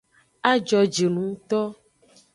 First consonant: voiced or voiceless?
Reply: voiced